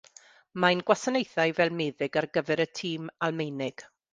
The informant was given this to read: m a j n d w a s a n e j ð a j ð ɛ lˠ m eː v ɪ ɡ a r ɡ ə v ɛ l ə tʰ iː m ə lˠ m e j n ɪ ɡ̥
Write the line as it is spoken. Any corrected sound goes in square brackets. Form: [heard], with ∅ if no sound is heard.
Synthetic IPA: m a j n [ɡ] w a s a n e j [θ] a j [v] ɛ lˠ m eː [ð] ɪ ɡ a r ɡ ə v ɛ [ɾ] ə tʰ iː m [a] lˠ m e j n ɪ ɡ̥